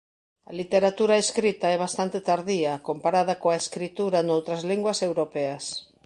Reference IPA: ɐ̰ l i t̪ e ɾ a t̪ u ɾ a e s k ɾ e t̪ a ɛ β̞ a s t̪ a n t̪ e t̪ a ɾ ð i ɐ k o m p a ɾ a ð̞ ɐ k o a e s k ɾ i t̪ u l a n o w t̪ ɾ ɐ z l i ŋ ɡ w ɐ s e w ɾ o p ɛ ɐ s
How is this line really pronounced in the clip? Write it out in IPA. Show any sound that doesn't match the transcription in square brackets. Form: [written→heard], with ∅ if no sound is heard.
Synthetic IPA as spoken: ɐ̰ l i t̪ e ɾ a t̪ u ɾ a e s k ɾ [e→i] t̪ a ɛ β̞ a s t̪ a n t̪ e t̪ a ɾ ð i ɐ k o m p a ɾ a ð̞ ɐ k o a e s k ɾ i t̪ u [l→ɾ] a n o w t̪ ɾ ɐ z l i ŋ ɡ w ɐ s e w ɾ o p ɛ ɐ s